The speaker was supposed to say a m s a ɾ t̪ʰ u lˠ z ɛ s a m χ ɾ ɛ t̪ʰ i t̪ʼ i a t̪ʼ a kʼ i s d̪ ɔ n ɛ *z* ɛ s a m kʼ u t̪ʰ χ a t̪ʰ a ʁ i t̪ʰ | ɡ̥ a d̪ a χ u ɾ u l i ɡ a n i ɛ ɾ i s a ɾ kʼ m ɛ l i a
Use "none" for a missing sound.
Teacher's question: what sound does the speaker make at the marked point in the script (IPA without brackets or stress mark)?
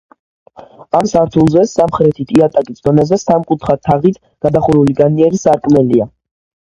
z